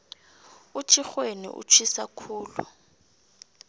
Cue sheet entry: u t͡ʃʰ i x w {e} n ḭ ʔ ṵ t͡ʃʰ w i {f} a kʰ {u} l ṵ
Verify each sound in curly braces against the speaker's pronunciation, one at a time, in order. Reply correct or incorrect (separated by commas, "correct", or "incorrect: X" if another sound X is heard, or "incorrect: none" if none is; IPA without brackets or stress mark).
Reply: correct, incorrect: s, incorrect: uː